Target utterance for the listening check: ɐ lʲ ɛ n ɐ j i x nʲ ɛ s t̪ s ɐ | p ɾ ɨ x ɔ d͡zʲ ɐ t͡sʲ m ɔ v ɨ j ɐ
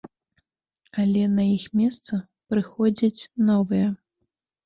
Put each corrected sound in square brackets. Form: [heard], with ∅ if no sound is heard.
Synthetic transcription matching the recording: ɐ lʲ ɛ n ɐ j i x [mʲ] ɛ s t̪ s ɐ | p ɾ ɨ x ɔ d͡zʲ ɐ t͡sʲ [n] ɔ v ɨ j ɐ

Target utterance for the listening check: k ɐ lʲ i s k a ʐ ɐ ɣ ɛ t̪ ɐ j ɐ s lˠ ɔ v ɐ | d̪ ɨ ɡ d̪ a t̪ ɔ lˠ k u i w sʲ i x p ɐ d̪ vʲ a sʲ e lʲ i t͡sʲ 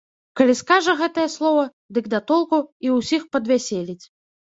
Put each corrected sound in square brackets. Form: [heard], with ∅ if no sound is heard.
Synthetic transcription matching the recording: k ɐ lʲ i s k a ʐ ɐ ɣ ɛ t̪ ɐ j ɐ s lˠ ɔ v ɐ | d̪ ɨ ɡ d̪ a t̪ ɔ lˠ k u i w sʲ i x p ɐ d̪ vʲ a sʲ e lʲ i t͡sʲ

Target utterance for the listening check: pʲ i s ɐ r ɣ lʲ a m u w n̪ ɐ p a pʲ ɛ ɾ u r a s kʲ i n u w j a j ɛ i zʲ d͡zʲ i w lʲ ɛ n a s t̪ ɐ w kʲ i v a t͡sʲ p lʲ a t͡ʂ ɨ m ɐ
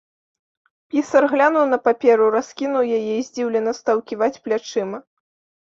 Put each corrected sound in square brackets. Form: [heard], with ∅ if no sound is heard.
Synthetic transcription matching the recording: pʲ i s ɐ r ɣ lʲ a [n] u w n̪ ɐ p a pʲ ɛ ɾ u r a s kʲ i n u w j a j ɛ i zʲ d͡zʲ i w lʲ ɛ n [ɐ] s t̪ ɐ w kʲ i v a t͡sʲ p lʲ a t͡ʂ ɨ m ɐ

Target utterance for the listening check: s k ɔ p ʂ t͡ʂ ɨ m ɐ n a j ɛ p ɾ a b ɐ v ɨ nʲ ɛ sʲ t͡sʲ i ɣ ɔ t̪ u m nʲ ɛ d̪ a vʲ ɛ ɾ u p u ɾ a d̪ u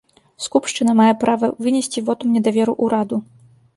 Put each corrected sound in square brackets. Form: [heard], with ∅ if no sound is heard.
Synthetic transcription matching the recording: s k [u] p ʂ t͡ʂ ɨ [n] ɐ [m] a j ɛ p ɾ a [v] ɐ v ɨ nʲ ɛ sʲ t͡sʲ i [v] ɔ t̪ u m nʲ ɛ d̪ a vʲ ɛ ɾ u [ʔ] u ɾ a d̪ u

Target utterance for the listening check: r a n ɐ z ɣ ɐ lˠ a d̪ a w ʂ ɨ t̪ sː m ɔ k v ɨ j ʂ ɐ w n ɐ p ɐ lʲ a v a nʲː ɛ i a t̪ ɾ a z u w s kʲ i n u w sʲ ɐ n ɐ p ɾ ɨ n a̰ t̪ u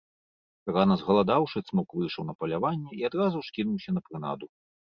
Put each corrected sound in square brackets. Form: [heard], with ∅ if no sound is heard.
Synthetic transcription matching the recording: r a n ɐ z ɣ ɐ lˠ a d̪ a w ʂ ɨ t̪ [s] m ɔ k v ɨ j ʂ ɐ w n ɐ p ɐ lʲ a v a nʲː ɛ i a [d̪] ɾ a z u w [ʂ] kʲ i n u w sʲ ɐ n ɐ p ɾ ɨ n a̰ [d̪] u

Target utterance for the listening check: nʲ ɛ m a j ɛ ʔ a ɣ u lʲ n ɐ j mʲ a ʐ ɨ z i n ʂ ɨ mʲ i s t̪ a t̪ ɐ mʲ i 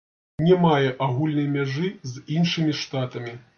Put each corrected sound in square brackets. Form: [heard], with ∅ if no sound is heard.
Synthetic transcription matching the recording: nʲ ɛ m a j ɛ ʔ a ɣ u lʲ n ɐ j mʲ a ʐ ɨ z i n ʂ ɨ mʲ i [ʂ] t̪ a t̪ ɐ mʲ i

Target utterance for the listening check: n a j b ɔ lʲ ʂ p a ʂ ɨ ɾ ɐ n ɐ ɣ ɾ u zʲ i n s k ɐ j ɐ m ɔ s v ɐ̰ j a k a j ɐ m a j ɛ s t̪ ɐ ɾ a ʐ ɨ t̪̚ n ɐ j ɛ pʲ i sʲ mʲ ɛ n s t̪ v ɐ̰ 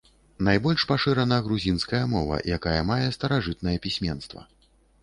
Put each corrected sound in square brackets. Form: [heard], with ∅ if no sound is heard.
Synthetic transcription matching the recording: n a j b ɔ lʲ ʂ p a ʂ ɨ ɾ ɐ n ɐ ɣ ɾ u zʲ i n s k ɐ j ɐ m ɔ [∅] v ɐ̰ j a k a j ɐ m a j ɛ s t̪ ɐ ɾ a ʐ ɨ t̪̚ n ɐ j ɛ pʲ i sʲ mʲ ɛ n s t̪ v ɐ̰

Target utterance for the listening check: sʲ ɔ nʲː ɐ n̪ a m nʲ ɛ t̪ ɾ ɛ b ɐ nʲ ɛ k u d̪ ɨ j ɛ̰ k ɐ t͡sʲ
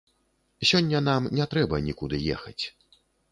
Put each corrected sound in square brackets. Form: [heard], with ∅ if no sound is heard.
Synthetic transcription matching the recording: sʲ ɔ nʲː ɐ n̪ a m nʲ ɛ t̪ ɾ ɛ b ɐ nʲ [i] k u d̪ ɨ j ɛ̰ [x] ɐ t͡sʲ

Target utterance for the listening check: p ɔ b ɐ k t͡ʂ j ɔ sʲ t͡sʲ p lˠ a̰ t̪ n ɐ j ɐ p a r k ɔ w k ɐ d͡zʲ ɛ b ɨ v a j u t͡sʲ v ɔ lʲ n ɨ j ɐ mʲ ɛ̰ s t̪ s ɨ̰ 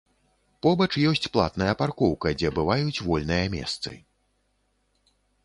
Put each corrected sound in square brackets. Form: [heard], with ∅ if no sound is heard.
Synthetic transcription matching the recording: p ɔ b ɐ [∅] t͡ʂ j ɔ sʲ t͡sʲ p lˠ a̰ t̪ n ɐ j ɐ p a r k ɔ w k ɐ d͡zʲ ɛ b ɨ v a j u t͡sʲ v ɔ lʲ n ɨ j ɐ mʲ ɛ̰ s t̪ s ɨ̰

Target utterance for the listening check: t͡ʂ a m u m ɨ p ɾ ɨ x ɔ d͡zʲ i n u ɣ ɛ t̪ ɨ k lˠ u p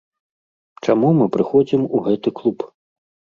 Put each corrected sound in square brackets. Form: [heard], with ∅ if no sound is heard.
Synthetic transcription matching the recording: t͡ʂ a m u m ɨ p ɾ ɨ x ɔ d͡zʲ i [m] u ɣ ɛ t̪ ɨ k lˠ u p

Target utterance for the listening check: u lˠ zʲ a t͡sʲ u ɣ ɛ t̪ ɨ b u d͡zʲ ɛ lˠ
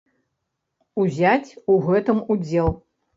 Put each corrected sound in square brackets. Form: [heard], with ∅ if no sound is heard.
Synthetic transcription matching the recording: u [∅] zʲ a t͡sʲ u ɣ ɛ t̪ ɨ [m] u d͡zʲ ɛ lˠ

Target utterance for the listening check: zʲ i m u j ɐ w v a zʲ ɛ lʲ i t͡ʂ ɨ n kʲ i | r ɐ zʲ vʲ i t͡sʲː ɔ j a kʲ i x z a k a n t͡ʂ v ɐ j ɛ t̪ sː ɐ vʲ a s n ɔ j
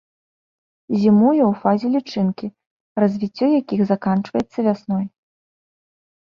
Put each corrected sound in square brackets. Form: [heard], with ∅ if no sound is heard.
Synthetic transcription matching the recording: zʲ i m u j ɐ w [f] a zʲ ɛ lʲ i t͡ʂ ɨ n kʲ i | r ɐ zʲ vʲ i t͡sʲː ɔ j a kʲ i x z a k a n t͡ʂ v ɐ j ɛ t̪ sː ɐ vʲ a s n ɔ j

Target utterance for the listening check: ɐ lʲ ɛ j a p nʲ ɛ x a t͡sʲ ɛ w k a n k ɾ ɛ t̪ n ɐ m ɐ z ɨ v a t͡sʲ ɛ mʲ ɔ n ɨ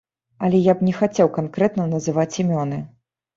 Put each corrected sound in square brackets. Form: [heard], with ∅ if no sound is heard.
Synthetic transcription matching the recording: ɐ lʲ ɛ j a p nʲ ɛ x a t͡sʲ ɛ w k a n k ɾ ɛ t̪ n ɐ [n] ɐ z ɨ v a t͡sʲ [i] mʲ ɔ n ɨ

